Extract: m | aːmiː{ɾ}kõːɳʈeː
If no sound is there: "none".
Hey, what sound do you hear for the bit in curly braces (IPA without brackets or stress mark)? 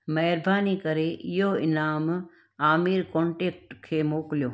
ɾ